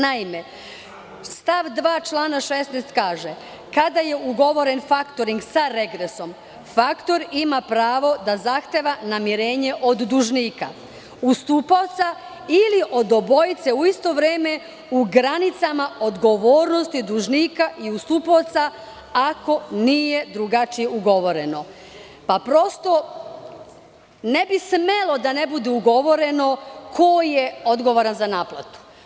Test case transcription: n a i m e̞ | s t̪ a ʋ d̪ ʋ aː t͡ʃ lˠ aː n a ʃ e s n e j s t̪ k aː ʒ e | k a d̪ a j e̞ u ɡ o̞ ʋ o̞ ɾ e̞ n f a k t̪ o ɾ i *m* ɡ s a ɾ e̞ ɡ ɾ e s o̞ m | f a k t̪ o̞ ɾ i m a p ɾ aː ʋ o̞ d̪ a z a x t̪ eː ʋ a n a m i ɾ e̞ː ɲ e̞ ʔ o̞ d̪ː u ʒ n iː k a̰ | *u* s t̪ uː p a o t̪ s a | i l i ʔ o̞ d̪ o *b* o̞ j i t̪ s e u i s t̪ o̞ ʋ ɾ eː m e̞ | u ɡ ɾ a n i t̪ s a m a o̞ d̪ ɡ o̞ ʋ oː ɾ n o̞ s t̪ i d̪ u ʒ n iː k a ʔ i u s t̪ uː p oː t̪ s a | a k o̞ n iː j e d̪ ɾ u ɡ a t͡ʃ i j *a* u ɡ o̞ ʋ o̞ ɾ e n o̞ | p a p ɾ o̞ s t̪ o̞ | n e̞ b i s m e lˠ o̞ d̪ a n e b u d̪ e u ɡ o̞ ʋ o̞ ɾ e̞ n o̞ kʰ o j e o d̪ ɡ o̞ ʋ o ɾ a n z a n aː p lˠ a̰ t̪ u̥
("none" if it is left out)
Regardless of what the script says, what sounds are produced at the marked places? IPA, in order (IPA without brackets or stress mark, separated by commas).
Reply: ŋ, u, b, e